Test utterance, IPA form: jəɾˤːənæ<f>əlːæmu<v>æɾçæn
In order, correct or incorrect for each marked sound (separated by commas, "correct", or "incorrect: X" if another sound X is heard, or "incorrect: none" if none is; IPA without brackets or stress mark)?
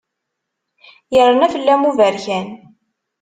correct, correct